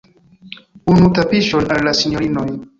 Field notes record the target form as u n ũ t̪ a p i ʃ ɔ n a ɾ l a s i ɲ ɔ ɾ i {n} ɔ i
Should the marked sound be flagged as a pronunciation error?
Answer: no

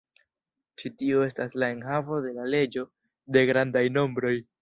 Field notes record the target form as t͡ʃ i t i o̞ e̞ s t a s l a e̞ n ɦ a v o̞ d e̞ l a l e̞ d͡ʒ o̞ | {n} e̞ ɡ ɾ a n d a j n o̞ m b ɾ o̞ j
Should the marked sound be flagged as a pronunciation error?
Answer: yes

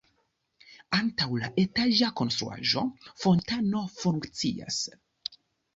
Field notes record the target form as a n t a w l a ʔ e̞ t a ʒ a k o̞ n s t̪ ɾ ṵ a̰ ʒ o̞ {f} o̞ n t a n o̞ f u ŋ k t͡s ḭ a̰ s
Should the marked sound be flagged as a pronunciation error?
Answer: no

